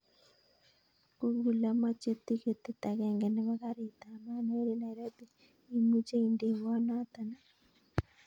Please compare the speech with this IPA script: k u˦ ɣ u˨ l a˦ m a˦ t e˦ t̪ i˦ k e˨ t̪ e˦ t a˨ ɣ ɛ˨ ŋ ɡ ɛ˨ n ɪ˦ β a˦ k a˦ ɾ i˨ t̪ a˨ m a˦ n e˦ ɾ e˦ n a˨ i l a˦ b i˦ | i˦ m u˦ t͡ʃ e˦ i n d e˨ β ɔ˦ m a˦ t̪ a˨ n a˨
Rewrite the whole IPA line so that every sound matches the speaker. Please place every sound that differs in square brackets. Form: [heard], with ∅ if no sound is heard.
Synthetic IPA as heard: k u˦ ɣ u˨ l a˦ m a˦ [t͡ʃ] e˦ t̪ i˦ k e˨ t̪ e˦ t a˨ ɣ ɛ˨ ŋ ɡ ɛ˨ n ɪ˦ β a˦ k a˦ ɾ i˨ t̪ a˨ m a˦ n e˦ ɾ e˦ n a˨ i [ɾ] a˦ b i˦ | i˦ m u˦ t͡ʃ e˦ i n d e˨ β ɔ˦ [n] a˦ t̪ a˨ n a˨

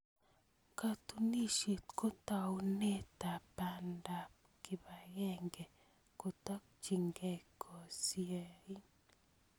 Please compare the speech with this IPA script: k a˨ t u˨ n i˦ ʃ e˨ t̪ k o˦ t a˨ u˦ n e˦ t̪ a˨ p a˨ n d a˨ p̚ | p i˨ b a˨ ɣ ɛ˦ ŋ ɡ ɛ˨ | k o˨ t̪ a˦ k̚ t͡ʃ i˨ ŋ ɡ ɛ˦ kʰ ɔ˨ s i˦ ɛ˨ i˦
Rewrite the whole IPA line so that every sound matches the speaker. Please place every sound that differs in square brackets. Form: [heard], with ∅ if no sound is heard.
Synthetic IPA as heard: k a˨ t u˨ n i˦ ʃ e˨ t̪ k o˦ t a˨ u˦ n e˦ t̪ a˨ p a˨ n d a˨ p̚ | [k] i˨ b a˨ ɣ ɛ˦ ŋ ɡ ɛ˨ | k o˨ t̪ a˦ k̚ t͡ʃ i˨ ŋ ɡ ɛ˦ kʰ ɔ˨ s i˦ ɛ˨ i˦

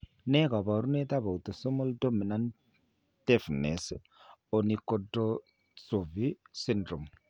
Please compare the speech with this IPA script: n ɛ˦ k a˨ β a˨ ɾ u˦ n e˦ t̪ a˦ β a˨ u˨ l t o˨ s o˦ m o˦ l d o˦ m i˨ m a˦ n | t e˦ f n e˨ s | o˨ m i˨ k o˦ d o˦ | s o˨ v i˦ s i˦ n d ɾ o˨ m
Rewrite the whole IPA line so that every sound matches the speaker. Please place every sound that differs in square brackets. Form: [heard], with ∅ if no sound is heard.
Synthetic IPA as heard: n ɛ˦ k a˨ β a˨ ɾ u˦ n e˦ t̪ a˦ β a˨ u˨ [∅] t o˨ s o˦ m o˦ l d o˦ m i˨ [n] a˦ n | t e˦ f n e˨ s | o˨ [n] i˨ k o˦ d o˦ | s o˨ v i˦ s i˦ n d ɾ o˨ m

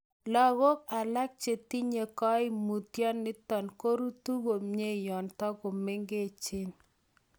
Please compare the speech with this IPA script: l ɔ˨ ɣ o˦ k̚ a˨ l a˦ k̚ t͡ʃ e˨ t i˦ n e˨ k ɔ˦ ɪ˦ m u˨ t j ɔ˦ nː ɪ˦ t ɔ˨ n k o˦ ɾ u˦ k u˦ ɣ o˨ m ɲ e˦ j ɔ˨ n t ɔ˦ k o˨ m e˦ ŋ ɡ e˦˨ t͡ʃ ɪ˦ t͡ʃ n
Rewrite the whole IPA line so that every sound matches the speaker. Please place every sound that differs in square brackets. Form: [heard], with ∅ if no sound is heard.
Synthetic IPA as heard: l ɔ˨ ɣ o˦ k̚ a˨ l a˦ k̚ t͡ʃ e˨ t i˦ [ɲ] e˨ k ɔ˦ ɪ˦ m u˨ t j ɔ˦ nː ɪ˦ t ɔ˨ n k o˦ ɾ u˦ [t] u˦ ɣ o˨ m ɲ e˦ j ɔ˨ n t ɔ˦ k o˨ m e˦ ŋ ɡ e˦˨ t͡ʃ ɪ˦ [∅] n

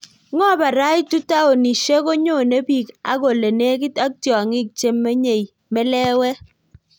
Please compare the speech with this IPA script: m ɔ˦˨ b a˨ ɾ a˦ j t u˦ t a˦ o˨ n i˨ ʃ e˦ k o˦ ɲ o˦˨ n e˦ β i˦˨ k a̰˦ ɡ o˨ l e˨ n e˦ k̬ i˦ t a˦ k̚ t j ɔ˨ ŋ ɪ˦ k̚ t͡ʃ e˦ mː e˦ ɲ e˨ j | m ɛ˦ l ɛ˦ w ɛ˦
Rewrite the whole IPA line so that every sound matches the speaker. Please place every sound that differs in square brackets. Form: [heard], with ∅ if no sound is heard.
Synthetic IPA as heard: [ŋ] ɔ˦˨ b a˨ ɾ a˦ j t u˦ t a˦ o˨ n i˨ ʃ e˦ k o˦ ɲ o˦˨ n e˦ [b] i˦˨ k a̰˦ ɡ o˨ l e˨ n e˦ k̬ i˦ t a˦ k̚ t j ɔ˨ ŋ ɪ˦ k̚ t͡ʃ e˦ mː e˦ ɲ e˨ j | m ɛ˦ l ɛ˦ w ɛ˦

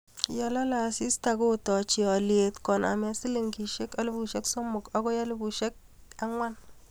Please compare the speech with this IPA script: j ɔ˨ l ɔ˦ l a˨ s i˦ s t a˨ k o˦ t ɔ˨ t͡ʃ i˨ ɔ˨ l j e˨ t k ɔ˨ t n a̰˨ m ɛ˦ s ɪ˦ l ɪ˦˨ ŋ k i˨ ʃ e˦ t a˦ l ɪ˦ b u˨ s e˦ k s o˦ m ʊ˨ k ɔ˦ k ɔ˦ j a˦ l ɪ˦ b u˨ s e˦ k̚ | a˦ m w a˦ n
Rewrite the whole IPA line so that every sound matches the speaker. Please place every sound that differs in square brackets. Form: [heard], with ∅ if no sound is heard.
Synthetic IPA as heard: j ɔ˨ l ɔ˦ l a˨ s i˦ s t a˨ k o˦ t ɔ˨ t͡ʃ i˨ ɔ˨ l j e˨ t k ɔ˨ [∅] n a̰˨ m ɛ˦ s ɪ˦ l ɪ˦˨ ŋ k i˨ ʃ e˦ [k] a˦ l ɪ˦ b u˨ [ʃ] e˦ k s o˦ m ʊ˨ k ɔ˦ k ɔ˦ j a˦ l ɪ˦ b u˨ [ʃ] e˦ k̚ | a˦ [ŋ] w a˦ n

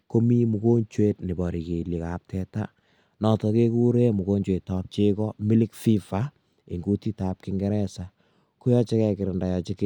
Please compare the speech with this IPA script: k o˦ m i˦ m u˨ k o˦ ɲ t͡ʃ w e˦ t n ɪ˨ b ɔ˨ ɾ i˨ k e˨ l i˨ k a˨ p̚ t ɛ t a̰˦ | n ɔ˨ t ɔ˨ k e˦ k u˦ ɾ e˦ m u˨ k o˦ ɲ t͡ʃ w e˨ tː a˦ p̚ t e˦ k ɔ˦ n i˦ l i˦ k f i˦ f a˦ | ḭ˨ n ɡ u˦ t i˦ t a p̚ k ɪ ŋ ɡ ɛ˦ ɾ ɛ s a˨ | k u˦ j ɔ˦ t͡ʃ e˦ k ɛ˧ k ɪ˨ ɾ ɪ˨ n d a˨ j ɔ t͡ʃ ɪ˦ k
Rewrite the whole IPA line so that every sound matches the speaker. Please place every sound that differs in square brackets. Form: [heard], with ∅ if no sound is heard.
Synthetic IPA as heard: k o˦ m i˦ m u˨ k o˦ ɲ t͡ʃ w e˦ t n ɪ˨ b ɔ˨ ɾ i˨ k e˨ l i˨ k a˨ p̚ t ɛ t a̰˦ | n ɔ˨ t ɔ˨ k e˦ k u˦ ɾ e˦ m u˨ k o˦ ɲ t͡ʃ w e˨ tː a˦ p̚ [t͡ʃ] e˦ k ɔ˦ [m] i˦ l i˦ k f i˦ f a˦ | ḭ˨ [ŋ] ɡ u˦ t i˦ t a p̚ k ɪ ŋ ɡ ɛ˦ ɾ ɛ s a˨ | k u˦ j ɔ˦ t͡ʃ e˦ k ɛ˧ k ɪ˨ ɾ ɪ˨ n d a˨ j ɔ t͡ʃ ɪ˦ k

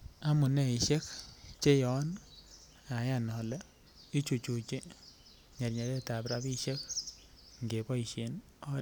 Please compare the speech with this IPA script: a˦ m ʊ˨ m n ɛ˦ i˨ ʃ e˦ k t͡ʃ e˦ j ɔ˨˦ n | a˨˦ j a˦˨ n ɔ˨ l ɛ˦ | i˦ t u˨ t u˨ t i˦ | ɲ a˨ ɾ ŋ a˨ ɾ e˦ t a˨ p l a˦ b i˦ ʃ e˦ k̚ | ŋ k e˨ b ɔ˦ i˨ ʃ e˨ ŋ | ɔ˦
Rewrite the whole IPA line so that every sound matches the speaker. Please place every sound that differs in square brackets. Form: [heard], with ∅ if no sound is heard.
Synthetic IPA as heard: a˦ m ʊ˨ [∅] n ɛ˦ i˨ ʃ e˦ k t͡ʃ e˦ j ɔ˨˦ n | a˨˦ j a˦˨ n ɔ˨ l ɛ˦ | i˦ [t͡ʃ] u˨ [t͡ʃ] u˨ [t͡ʃ] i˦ | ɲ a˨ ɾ [ɲ] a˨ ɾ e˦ t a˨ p [ɾ] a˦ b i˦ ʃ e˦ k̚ | ŋ [ɡ] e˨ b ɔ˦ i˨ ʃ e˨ [n] | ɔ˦

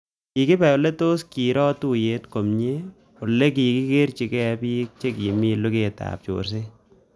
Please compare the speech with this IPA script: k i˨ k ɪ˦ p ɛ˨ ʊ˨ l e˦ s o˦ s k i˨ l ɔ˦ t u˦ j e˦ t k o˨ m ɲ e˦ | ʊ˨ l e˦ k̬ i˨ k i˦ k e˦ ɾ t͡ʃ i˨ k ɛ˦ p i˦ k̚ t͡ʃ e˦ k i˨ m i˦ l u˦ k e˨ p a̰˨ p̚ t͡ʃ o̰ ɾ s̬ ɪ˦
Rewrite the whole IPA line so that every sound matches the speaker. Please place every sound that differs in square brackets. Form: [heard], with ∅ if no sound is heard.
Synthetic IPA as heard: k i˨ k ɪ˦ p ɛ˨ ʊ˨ l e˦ [t] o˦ s k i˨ [ɾ] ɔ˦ t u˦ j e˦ t k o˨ m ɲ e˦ | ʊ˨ l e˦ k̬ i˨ k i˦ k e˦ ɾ t͡ʃ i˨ k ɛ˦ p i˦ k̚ t͡ʃ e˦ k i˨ m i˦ l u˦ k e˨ [t] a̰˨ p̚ t͡ʃ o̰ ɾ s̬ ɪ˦

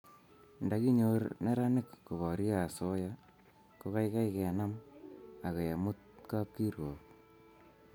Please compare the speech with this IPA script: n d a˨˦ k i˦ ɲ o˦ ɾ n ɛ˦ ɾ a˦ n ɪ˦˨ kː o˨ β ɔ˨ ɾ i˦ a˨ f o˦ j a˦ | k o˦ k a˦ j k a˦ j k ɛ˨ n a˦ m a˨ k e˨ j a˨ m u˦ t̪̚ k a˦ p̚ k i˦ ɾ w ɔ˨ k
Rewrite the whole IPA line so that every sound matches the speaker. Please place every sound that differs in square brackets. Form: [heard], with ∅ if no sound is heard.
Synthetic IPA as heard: n d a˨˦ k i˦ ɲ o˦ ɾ n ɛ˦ ɾ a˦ n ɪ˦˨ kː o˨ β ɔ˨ ɾ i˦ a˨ [s] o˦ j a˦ | k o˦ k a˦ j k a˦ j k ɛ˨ n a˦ m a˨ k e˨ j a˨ m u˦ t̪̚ k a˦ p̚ k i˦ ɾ w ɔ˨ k

